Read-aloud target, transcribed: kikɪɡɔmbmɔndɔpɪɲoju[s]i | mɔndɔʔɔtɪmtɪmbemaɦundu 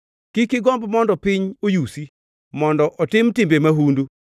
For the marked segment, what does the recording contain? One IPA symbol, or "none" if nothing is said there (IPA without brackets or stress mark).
s